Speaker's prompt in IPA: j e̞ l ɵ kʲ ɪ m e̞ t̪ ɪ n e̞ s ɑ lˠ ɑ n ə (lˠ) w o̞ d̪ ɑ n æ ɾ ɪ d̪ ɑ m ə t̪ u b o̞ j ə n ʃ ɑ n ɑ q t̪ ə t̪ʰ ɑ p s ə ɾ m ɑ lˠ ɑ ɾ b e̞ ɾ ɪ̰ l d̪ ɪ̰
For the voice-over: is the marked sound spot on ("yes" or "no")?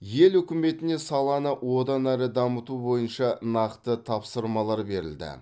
no